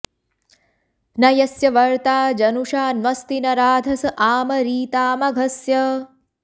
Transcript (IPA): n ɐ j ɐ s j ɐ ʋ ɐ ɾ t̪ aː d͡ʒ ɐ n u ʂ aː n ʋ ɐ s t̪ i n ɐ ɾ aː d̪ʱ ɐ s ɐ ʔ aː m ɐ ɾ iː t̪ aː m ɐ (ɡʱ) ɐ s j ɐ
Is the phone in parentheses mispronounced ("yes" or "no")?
no